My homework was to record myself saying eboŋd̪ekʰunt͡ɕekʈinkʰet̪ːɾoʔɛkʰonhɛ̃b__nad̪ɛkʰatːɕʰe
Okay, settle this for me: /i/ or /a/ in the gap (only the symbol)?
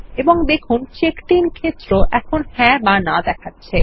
a